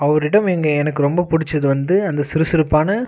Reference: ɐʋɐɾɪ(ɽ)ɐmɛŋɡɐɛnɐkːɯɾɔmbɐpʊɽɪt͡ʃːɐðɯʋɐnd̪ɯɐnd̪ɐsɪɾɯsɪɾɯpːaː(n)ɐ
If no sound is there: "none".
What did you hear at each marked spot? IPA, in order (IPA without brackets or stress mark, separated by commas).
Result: ɽ, n